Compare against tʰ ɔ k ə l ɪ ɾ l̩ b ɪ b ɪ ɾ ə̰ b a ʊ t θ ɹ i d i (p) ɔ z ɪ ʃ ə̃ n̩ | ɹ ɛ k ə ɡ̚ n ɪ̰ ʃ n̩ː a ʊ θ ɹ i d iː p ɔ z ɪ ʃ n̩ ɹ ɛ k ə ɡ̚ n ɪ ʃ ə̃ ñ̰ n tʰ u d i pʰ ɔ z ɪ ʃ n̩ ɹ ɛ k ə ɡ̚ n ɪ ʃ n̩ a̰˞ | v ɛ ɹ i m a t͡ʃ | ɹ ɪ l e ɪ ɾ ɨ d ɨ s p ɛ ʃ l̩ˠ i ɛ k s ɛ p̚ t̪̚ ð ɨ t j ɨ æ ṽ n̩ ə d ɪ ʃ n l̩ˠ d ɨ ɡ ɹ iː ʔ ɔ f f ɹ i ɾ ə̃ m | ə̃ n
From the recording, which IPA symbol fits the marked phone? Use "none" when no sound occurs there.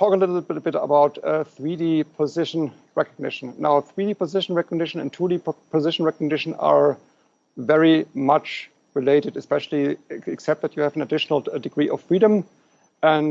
pʰ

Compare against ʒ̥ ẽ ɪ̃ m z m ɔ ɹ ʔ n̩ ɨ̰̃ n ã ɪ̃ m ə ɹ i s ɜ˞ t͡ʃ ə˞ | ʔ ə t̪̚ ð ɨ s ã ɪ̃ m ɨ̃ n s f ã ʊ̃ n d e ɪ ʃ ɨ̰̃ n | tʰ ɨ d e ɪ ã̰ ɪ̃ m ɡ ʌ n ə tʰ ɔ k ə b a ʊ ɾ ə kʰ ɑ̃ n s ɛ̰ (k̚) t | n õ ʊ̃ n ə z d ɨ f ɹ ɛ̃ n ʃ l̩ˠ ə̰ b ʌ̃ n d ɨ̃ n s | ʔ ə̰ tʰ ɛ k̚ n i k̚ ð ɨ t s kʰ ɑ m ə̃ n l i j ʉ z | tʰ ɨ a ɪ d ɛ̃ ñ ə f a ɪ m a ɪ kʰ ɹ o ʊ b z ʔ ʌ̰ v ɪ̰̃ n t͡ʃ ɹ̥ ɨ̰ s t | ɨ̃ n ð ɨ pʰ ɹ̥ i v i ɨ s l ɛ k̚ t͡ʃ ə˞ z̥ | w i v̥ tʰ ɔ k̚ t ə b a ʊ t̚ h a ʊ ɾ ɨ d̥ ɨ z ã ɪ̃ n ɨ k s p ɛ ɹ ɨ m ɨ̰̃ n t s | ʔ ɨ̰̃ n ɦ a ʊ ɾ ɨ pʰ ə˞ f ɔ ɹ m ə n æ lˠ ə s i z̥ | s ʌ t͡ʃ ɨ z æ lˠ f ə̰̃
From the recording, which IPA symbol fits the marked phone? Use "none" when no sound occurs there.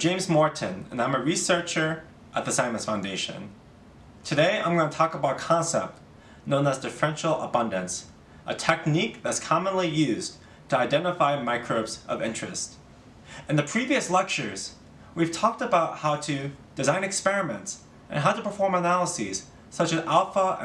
p̚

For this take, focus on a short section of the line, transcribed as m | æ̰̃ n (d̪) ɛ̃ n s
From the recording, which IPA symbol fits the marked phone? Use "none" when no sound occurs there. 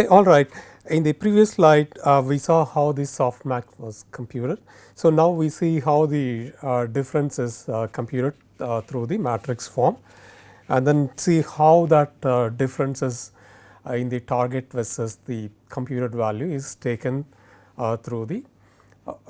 d̪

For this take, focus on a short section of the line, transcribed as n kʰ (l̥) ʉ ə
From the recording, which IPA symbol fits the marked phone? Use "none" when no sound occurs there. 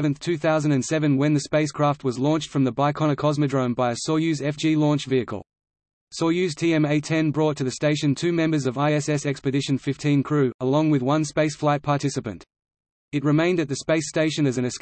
ɹ̥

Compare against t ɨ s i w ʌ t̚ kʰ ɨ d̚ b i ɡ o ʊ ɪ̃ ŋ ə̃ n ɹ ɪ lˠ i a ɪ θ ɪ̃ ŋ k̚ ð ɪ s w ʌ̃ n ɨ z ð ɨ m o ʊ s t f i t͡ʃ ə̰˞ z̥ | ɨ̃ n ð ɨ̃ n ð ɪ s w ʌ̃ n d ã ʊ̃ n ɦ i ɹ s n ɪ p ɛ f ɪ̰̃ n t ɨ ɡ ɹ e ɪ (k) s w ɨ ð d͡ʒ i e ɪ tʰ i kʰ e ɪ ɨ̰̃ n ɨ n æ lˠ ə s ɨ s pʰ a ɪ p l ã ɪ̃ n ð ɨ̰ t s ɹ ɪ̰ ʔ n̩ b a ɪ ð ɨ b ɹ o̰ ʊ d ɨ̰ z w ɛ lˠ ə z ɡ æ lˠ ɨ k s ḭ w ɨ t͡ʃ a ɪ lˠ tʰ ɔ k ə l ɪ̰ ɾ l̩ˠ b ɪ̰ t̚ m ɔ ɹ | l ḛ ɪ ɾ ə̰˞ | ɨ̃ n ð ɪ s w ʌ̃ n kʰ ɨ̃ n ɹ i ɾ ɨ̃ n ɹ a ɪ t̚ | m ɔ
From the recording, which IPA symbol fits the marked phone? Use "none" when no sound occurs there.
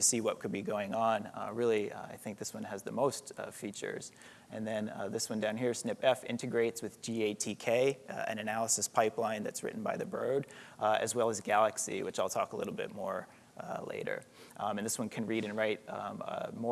t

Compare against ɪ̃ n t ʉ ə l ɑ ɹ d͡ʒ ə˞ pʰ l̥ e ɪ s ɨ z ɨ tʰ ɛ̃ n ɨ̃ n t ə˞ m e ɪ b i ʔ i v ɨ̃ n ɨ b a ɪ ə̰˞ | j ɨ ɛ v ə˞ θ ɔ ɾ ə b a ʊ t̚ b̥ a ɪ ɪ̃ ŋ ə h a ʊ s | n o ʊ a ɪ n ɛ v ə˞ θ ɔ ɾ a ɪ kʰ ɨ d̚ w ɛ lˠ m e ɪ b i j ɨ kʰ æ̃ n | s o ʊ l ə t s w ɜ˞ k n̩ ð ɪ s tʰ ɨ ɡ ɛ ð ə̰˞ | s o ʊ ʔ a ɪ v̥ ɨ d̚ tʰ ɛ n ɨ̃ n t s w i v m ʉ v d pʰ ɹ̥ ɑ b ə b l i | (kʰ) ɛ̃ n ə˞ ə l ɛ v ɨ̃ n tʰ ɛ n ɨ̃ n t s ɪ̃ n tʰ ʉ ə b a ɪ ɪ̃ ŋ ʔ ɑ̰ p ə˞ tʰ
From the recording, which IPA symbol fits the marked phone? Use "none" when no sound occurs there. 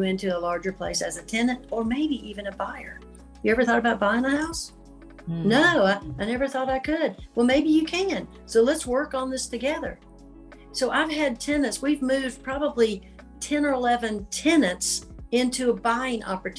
tʰ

